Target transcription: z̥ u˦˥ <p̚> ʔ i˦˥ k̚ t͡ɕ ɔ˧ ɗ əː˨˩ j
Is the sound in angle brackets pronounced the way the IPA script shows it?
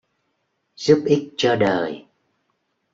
yes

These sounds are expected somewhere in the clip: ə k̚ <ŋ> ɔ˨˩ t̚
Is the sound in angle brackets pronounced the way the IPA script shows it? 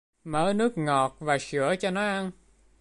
yes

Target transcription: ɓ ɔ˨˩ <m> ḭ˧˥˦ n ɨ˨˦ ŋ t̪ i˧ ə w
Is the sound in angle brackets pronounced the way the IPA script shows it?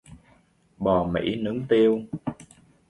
yes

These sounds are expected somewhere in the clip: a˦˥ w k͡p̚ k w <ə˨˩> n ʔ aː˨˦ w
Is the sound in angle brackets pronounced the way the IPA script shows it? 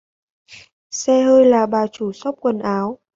yes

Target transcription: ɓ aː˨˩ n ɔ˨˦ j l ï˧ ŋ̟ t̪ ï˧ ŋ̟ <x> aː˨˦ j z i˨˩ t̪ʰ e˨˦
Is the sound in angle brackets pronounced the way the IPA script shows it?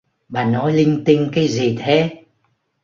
no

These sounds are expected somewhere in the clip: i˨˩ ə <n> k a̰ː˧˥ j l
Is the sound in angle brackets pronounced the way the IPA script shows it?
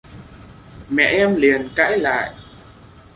yes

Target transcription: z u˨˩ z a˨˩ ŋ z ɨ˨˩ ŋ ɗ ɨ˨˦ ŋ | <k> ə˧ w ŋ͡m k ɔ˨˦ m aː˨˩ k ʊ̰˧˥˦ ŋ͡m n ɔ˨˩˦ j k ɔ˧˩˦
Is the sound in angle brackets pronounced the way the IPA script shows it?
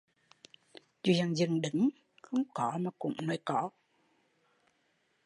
no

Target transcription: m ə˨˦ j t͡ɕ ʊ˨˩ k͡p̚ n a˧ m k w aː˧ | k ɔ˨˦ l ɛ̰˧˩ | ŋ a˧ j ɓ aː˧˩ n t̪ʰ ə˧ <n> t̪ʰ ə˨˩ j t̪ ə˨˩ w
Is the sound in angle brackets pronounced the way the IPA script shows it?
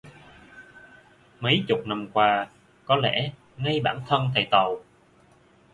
yes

